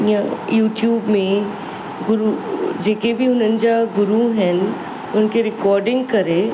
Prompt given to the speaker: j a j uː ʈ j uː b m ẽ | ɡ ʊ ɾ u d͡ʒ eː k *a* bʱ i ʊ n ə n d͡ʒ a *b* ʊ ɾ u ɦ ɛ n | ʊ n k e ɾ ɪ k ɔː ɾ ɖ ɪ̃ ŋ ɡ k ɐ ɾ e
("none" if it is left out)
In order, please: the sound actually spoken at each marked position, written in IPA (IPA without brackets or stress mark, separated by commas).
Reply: e, ɡ